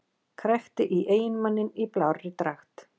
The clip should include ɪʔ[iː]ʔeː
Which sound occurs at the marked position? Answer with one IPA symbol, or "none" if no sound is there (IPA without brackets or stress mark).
i